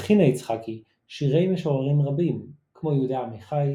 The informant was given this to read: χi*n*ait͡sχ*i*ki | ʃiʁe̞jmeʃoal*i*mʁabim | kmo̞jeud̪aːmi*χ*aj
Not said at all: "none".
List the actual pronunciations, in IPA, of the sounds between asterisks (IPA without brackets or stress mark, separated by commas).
n, a, i, χ